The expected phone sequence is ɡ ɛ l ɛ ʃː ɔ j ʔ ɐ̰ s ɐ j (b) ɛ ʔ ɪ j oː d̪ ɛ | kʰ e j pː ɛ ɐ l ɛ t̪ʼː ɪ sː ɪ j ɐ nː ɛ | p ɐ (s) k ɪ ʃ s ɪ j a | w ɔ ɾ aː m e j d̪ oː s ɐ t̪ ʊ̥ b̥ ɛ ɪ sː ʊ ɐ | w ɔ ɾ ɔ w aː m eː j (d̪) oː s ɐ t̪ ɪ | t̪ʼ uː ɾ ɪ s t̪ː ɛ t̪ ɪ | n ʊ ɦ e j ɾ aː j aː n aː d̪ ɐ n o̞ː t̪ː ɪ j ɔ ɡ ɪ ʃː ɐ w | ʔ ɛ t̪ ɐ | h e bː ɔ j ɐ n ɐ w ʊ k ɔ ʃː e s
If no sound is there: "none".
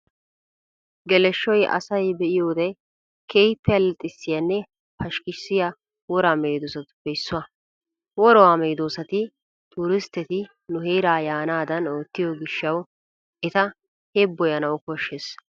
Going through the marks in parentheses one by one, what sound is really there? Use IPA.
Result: b, ʃ, d̪

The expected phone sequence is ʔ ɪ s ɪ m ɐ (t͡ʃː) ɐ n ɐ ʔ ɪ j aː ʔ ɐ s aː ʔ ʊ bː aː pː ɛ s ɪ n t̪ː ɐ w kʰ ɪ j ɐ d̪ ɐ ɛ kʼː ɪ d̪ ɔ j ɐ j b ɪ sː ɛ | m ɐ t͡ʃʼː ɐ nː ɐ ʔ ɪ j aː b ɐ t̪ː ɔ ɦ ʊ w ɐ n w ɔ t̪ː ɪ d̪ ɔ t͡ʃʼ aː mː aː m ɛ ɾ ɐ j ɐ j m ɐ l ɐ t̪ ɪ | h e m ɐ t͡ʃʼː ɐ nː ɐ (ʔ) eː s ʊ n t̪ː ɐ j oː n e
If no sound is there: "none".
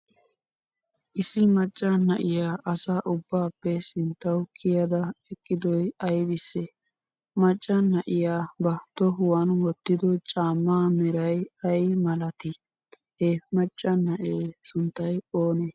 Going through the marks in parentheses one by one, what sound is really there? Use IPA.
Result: t͡ʃʼː, ʔ

